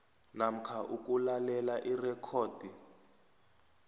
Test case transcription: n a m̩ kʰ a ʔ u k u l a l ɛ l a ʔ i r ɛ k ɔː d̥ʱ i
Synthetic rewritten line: n a m̩ kʰ a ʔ u k u l a l ɛ l a ʔ i r ɛ kʰ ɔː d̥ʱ i